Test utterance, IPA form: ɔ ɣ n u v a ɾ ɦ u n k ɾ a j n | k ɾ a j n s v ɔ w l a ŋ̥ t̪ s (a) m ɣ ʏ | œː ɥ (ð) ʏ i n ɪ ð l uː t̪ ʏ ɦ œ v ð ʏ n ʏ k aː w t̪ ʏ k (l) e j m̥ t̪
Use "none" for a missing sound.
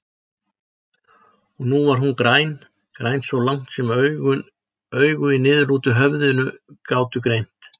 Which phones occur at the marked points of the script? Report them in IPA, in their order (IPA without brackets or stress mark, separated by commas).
ɛ, ɣ, ɾ